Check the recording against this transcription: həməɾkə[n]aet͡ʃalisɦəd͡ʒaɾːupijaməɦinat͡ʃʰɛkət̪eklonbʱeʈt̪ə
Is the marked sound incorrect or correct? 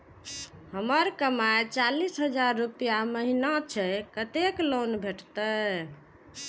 incorrect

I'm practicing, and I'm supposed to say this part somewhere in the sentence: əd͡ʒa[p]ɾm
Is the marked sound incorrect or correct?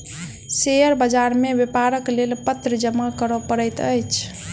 incorrect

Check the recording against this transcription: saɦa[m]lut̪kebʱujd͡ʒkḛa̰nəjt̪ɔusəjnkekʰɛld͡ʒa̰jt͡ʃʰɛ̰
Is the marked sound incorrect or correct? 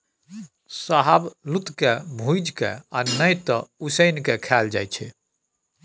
incorrect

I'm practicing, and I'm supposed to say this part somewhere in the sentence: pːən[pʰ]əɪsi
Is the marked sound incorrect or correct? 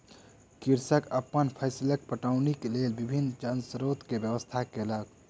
correct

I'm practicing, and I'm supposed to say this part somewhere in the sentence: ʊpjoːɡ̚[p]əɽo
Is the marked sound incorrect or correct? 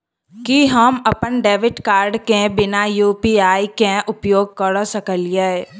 incorrect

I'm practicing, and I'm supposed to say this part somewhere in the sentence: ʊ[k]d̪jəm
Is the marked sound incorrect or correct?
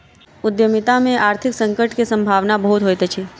incorrect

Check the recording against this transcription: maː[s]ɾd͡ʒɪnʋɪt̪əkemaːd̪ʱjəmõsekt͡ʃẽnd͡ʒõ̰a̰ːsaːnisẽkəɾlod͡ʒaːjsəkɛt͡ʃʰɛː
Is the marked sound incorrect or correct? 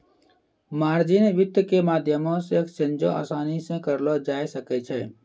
incorrect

